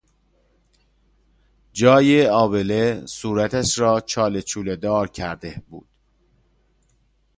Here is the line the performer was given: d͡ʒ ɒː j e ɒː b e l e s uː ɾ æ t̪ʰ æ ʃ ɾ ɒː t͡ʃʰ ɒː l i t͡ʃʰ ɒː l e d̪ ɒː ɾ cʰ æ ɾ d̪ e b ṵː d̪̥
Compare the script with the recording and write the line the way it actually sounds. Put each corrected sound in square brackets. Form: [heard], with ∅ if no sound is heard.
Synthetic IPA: d͡ʒ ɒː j e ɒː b e l e s uː ɾ æ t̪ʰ æ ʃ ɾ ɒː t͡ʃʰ ɒː l [e] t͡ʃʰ [uː] l e d̪ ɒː ɾ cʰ æ ɾ d̪ e b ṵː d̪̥